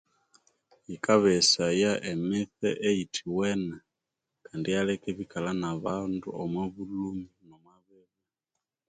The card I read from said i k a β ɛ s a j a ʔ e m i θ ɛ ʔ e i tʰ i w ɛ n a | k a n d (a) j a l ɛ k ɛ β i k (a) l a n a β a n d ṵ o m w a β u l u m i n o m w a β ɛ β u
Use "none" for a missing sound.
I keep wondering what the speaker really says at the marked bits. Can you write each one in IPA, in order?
i, a

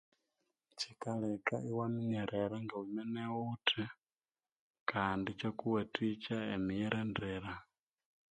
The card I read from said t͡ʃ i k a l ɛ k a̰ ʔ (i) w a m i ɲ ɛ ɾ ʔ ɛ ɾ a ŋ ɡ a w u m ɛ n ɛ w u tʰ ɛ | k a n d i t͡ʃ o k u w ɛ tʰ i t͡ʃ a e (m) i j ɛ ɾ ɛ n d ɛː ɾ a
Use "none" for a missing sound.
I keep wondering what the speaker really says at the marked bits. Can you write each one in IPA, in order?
i, m

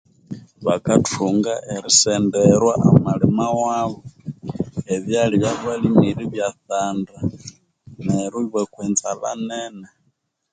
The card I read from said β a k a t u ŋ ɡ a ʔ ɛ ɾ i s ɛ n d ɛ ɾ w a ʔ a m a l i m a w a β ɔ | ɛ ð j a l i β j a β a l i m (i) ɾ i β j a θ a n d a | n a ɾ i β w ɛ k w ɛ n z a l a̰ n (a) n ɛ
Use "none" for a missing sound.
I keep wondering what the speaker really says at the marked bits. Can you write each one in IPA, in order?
i, ɛ

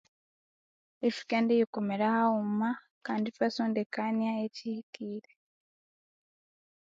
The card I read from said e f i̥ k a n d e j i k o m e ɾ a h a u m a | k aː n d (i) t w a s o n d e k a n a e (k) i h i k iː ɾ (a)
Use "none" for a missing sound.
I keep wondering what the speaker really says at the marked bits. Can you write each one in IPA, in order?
i, c, e

